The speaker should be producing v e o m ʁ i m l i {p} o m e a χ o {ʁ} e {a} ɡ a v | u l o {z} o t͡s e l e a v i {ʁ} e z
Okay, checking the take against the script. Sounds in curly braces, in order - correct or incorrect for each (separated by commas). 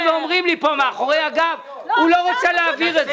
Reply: correct, correct, correct, incorrect, correct